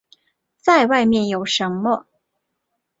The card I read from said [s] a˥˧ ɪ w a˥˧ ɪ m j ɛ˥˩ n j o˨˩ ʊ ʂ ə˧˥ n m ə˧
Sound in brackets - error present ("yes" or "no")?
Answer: yes